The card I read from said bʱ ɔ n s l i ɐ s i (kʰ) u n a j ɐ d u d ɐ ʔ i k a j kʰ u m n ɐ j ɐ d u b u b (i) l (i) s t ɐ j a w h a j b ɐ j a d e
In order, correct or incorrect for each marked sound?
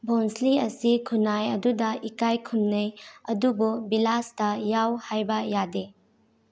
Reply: correct, correct, incorrect: a

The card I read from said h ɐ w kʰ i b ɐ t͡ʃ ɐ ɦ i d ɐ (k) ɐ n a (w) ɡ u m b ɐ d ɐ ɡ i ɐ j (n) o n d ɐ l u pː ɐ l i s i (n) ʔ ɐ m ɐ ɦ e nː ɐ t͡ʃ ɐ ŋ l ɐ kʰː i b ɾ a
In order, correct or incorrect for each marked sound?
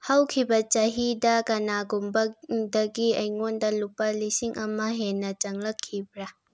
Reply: correct, incorrect: none, incorrect: ŋ, incorrect: ŋ

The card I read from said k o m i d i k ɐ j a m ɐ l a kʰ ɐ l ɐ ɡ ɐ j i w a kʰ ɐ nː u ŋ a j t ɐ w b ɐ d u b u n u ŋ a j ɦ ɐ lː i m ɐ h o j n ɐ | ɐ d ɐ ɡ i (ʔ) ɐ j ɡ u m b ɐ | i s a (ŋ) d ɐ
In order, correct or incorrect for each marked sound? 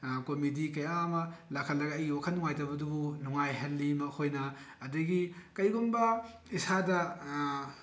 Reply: incorrect: k, incorrect: none

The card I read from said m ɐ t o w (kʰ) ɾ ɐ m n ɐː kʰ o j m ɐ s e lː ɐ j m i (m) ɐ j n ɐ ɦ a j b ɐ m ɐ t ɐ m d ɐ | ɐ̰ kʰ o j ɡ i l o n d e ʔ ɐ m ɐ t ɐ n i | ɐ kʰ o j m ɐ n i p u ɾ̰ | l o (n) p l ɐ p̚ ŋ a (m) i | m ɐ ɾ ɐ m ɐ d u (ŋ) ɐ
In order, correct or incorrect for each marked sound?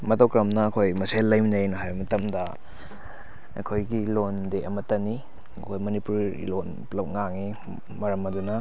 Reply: incorrect: k, incorrect: n, correct, incorrect: ŋ, incorrect: n

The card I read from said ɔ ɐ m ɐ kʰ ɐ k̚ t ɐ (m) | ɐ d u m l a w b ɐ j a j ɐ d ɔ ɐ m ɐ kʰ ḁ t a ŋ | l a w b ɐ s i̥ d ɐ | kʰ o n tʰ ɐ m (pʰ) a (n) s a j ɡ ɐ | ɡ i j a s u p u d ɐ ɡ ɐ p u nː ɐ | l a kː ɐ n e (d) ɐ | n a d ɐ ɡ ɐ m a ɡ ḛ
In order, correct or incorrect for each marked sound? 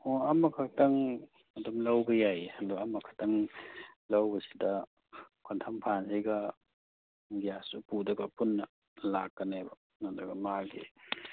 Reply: incorrect: ŋ, correct, correct, incorrect: b

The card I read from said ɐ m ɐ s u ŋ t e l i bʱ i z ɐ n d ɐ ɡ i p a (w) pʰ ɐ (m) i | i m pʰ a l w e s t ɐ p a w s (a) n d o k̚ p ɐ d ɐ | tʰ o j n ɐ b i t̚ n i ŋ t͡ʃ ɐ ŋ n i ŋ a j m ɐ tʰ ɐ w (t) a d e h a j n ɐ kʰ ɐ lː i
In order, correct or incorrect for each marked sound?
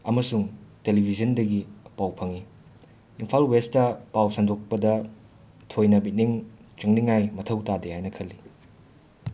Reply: correct, incorrect: ŋ, correct, correct

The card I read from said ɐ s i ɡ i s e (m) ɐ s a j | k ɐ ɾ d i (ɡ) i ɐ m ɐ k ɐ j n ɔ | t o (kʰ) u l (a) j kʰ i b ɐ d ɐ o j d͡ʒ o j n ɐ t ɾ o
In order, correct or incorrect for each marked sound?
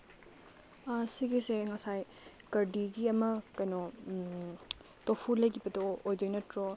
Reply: incorrect: ŋ, correct, incorrect: pʰ, incorrect: ɐ

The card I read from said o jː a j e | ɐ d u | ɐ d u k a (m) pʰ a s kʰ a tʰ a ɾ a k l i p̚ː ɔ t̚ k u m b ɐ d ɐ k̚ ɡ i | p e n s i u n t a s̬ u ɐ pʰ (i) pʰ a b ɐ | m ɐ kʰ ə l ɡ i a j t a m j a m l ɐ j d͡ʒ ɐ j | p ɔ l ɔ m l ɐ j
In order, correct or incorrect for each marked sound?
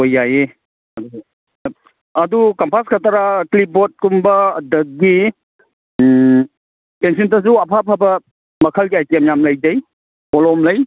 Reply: correct, incorrect: a

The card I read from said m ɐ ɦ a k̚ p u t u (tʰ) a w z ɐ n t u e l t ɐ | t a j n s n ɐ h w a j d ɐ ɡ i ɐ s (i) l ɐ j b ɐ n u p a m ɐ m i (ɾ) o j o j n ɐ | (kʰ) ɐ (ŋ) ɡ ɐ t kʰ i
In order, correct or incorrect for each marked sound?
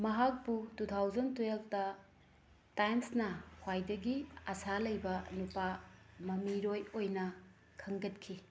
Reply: correct, incorrect: a, correct, correct, correct

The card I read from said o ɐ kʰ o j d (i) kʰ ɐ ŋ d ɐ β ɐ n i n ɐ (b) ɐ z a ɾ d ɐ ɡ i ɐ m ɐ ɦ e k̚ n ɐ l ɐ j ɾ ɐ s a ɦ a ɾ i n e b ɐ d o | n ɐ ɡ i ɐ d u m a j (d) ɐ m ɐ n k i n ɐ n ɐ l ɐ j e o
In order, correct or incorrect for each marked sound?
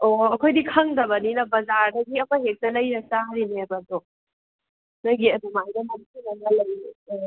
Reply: correct, correct, correct

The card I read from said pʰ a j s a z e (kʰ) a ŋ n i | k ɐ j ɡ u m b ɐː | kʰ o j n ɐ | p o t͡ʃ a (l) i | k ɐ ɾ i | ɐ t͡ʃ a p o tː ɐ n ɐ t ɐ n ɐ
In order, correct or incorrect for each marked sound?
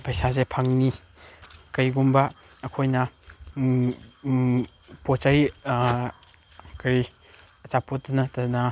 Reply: incorrect: pʰ, incorrect: ɾ

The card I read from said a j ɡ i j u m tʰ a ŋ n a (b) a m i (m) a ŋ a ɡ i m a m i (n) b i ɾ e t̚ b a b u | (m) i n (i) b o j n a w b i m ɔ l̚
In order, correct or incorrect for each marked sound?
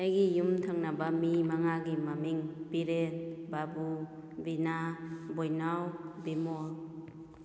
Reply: correct, correct, incorrect: ŋ, incorrect: b, incorrect: a

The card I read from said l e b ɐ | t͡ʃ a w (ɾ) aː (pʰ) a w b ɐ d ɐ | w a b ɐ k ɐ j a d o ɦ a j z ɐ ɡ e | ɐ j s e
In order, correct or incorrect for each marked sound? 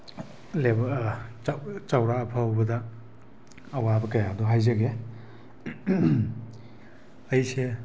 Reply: correct, correct

